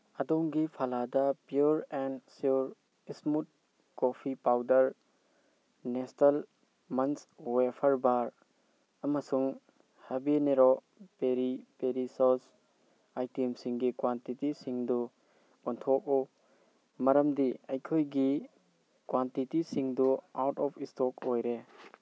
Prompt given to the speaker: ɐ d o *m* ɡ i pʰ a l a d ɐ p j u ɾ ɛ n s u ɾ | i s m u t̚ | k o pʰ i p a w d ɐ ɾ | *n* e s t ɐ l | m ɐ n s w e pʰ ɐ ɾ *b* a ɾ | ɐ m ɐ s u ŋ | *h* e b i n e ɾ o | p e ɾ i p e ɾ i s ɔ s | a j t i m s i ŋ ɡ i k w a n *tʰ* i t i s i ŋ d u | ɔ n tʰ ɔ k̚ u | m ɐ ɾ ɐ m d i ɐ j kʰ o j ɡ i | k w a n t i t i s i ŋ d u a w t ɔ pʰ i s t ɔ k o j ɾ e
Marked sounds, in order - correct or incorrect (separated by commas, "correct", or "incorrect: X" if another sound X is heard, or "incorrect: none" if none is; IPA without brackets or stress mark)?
incorrect: ŋ, correct, correct, correct, incorrect: t